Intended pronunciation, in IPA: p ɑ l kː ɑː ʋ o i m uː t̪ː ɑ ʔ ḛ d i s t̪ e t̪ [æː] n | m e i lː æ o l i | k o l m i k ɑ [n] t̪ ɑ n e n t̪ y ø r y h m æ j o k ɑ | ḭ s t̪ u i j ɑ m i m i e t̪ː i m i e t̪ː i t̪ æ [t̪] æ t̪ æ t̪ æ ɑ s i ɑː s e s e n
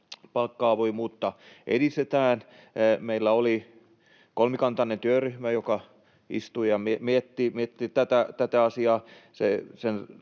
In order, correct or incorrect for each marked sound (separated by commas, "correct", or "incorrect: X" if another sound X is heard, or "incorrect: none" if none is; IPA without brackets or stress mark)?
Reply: correct, correct, correct